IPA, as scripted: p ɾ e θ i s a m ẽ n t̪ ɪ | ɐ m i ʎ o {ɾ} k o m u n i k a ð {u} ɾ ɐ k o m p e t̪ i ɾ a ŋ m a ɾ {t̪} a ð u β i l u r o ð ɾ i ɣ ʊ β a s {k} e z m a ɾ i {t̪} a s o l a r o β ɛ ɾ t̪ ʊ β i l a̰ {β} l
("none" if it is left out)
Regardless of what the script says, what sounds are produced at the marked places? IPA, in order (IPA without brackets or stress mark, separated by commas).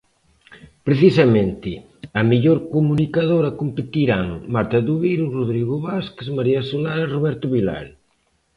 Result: ɾ, o, t̪, k, none, none